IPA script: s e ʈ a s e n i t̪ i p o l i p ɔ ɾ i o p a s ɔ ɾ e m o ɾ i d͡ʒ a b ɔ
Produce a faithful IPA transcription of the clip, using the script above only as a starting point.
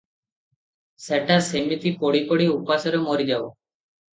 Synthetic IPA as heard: s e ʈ a s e m i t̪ i p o ɽ i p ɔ ɽ i u p a s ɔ ɾ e m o ɾ i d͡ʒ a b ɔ